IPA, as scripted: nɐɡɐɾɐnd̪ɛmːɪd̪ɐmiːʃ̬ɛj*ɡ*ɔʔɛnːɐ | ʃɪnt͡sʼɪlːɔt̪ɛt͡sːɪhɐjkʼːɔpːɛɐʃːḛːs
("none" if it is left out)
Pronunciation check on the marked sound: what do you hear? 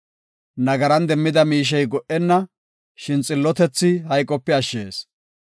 ɡ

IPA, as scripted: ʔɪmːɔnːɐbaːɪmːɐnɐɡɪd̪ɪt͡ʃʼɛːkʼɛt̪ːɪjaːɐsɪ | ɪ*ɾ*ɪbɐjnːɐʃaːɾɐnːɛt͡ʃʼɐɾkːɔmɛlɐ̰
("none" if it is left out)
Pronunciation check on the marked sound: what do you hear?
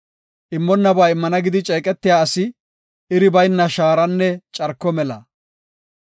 ɾ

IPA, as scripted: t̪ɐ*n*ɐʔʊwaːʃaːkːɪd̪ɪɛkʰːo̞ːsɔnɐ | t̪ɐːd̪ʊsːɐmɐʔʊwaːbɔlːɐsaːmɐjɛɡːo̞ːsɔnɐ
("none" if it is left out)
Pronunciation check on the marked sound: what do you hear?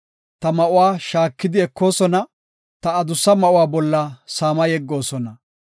m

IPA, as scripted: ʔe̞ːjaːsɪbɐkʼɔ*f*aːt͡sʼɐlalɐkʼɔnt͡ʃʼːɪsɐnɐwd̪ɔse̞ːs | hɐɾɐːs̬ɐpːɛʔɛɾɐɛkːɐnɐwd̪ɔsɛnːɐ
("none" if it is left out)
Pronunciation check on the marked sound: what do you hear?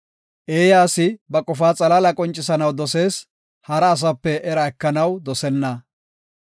f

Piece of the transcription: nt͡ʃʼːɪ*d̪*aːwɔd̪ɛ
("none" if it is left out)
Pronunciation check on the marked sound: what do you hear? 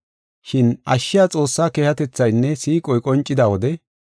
d̪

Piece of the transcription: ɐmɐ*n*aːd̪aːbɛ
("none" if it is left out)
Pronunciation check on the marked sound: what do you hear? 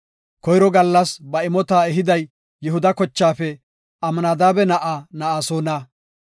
n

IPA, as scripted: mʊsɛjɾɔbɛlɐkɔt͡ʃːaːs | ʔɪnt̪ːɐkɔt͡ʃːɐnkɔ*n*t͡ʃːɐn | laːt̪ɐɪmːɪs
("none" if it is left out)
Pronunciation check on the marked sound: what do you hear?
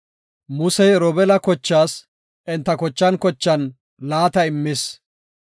none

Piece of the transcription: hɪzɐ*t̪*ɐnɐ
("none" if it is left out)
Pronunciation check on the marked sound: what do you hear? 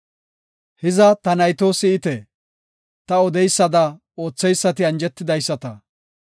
t̪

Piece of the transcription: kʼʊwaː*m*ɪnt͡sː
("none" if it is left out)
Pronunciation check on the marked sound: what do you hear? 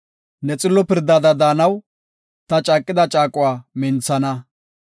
m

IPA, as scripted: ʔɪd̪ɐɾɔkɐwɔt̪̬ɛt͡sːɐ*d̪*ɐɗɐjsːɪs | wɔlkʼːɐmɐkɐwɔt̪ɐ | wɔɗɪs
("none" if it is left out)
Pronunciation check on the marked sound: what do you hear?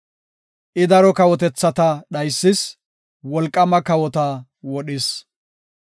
t̪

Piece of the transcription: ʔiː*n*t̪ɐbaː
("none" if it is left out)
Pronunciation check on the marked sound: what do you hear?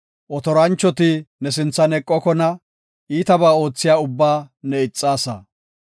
none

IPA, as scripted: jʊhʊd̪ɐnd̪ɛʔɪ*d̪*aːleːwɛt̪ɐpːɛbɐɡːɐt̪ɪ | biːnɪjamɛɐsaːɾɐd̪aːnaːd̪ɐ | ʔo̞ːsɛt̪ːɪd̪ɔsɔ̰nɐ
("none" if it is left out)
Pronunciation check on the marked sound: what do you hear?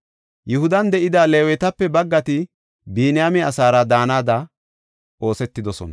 d̪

